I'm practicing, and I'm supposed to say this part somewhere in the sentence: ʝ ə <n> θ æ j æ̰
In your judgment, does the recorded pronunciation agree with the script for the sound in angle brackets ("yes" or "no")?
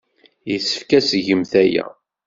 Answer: no